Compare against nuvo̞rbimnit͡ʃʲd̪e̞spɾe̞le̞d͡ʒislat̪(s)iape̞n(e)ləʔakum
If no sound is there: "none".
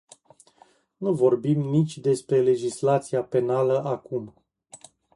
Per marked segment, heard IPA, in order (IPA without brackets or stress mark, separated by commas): s, a